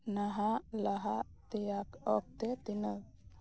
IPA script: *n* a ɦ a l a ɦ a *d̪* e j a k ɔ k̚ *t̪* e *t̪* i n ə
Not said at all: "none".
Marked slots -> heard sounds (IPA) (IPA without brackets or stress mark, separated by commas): n, t̪, t̪, t̪